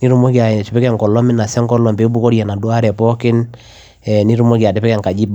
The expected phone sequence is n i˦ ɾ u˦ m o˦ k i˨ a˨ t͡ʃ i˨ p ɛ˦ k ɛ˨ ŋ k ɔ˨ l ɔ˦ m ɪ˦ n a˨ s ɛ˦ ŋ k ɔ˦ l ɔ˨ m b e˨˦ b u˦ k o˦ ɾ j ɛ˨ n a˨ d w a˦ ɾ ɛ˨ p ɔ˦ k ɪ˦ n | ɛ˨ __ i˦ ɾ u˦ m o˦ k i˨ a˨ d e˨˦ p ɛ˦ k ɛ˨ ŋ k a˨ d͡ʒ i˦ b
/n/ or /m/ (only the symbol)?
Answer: n